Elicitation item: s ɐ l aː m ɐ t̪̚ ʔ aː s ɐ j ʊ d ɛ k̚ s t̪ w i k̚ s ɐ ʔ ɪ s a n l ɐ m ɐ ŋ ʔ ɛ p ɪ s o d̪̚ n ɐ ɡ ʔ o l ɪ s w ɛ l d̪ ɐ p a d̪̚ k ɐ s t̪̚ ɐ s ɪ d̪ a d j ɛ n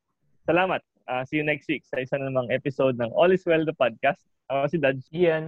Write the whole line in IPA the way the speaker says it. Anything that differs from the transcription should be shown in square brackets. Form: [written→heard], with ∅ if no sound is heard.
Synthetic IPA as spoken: s ɐ l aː m ɐ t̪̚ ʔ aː s ɐ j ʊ [d→n] ɛ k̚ s t̪ w i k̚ s ɐ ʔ ɪ s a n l ɐ m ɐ ŋ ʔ ɛ p ɪ s o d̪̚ n ɐ [ɡ→ŋ] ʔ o l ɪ s w ɛ l d̪ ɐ p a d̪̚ k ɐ s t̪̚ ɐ s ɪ d̪ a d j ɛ n